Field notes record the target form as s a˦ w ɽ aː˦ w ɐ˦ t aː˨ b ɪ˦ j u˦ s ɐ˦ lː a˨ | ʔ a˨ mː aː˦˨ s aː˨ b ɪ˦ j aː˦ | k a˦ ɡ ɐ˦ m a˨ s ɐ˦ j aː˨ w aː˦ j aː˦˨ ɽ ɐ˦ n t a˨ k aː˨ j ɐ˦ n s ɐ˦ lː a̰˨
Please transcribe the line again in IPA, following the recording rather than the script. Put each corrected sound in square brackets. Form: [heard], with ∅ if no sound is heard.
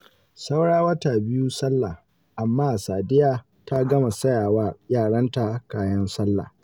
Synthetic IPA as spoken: s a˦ w ɽ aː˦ w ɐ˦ t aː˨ b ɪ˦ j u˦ s ɐ˦ lː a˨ | ʔ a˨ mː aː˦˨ s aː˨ [d] ɪ˦ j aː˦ | [t] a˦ ɡ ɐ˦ m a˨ s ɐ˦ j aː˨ w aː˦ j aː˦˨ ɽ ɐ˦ n t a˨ k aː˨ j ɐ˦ n s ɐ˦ lː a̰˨